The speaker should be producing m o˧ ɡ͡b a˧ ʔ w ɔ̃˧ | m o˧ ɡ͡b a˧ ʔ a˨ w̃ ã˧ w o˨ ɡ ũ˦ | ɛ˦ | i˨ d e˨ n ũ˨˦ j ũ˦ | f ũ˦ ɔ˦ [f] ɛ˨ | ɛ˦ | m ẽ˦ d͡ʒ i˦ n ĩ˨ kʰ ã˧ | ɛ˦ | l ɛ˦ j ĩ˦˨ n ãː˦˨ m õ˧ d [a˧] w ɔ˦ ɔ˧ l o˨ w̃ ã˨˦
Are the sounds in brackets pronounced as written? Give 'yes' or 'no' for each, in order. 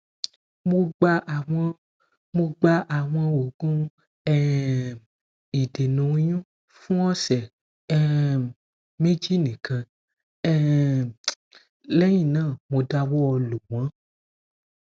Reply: no, yes

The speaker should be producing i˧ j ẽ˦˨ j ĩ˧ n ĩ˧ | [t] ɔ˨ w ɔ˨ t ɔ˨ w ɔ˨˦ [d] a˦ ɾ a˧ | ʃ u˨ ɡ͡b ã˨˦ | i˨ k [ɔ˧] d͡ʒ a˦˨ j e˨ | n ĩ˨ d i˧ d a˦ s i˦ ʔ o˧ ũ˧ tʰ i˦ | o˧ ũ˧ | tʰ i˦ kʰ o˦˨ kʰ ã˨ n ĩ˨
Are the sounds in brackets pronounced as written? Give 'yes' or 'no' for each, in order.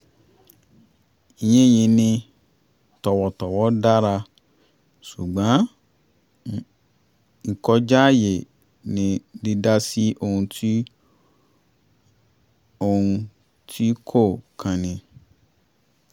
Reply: yes, yes, yes

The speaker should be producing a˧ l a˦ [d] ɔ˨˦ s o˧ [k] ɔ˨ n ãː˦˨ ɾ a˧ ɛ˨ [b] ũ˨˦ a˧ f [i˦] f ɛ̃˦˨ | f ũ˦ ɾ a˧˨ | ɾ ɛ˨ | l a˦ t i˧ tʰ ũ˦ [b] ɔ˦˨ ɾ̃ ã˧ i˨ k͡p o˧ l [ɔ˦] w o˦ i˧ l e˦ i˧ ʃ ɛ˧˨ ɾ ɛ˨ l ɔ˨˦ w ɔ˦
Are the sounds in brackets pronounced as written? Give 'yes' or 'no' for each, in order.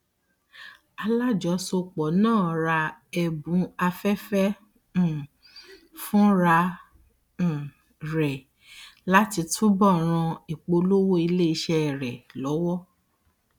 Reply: no, no, yes, no, yes, no

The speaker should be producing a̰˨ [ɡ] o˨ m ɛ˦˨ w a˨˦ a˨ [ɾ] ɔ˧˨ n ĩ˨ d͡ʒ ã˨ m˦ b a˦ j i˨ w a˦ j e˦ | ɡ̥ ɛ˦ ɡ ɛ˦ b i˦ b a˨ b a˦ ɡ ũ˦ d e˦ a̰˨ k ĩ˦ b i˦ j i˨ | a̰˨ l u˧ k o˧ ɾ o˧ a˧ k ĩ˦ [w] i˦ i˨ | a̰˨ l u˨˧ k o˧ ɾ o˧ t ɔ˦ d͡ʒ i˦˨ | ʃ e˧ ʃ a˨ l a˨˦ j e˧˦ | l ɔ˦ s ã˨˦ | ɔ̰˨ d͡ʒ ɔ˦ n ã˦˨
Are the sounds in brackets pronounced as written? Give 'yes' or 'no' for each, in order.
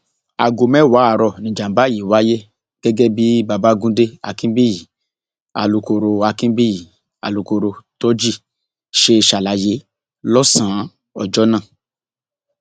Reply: yes, yes, no

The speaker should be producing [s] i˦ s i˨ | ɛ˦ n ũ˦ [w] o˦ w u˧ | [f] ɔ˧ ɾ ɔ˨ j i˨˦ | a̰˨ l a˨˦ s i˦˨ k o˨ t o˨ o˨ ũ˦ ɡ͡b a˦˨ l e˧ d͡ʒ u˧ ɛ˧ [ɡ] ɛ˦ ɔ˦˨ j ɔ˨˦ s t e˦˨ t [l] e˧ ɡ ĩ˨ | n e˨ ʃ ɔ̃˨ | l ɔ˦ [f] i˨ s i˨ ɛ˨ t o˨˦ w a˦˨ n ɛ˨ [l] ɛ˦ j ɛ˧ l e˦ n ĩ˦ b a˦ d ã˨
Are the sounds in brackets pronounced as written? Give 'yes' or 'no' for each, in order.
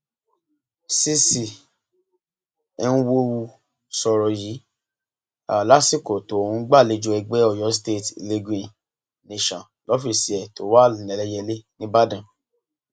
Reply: yes, yes, no, no, yes, yes, yes

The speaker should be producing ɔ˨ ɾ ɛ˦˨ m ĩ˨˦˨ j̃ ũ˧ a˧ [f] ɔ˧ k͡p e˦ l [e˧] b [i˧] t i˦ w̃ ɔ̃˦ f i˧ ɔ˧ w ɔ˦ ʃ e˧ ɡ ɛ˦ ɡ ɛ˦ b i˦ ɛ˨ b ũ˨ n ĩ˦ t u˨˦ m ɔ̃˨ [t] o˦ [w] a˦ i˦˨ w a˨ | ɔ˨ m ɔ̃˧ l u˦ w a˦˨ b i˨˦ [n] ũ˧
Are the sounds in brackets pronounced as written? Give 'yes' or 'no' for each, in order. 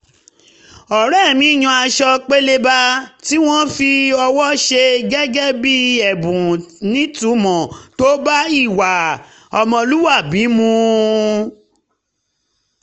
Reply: no, yes, no, yes, no, no

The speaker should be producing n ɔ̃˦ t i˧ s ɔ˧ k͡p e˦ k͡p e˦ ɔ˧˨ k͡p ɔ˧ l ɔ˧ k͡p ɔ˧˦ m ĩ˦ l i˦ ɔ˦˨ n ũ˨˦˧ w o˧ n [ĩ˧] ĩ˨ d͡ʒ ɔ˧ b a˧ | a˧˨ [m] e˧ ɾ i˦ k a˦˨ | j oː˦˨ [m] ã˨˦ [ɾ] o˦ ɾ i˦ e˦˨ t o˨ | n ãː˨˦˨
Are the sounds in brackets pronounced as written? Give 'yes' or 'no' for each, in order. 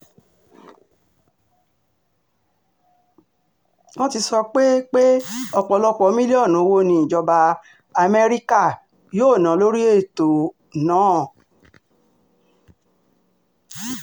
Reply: yes, yes, no, no

